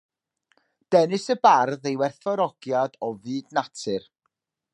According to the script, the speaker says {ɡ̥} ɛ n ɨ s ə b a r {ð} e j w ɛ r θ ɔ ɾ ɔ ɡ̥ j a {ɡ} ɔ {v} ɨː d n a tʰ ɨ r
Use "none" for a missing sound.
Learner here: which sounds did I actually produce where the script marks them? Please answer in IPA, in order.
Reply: d̥, ð, d, v

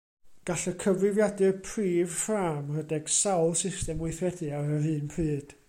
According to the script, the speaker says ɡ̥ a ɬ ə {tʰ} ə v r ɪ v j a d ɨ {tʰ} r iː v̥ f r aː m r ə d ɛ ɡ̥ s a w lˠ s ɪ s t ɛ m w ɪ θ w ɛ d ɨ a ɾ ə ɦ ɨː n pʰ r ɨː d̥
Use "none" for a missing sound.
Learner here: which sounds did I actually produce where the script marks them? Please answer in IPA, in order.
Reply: kʰ, pʰ

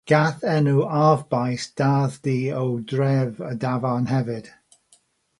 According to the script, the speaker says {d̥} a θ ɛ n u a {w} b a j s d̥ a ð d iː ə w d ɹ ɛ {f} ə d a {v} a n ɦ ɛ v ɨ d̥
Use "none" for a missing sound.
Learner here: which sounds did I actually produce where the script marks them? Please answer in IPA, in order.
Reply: ɡ̥, v, v, v

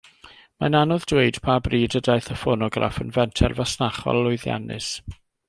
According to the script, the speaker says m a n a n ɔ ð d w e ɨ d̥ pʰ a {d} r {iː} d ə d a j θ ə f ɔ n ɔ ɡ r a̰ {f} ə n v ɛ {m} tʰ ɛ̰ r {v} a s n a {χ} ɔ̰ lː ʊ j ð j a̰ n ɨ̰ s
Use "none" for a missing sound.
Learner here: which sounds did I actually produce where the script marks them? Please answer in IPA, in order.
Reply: b, iː, f, n, v, χ

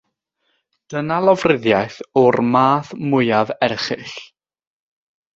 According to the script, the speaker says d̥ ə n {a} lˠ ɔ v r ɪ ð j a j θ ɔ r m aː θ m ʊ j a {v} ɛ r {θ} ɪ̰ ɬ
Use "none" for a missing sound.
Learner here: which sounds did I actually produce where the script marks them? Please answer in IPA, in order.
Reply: a, v, χ

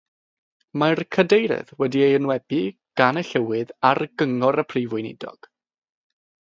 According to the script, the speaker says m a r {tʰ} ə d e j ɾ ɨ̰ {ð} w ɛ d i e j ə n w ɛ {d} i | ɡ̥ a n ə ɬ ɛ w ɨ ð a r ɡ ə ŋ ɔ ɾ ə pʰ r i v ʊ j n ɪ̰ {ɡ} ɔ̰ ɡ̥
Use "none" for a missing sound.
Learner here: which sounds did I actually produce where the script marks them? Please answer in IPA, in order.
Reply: kʰ, ð, b, d

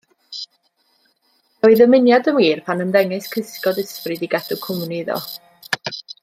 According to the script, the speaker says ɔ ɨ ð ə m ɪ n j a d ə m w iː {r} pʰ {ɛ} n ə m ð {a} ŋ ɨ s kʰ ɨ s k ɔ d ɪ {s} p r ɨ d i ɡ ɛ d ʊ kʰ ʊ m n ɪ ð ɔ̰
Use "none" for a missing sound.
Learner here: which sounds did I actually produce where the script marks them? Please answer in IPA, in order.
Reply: r, a, ɛ, s

